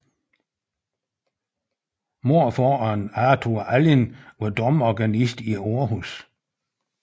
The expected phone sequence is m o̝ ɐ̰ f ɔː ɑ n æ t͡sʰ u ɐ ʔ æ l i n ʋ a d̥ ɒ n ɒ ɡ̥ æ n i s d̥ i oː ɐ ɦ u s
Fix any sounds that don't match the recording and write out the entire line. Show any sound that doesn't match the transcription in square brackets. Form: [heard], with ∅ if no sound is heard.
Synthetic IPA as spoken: m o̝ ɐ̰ f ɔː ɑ n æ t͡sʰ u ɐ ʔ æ l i n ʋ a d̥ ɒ [m] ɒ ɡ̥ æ n i s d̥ i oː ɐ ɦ u s